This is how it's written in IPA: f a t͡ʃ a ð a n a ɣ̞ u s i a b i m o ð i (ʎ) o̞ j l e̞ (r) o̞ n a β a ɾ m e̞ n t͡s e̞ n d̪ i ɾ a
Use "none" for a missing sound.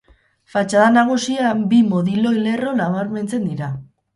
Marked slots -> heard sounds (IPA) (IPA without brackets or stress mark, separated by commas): l, r